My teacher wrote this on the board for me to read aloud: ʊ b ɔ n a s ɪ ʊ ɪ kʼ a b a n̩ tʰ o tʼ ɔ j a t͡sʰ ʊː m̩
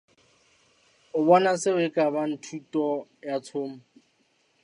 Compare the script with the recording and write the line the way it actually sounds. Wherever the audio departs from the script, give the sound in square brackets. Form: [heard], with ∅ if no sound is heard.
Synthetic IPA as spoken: ʊ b ɔ n a s ɪ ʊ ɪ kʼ a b a n̩ tʰ [u] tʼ ɔ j a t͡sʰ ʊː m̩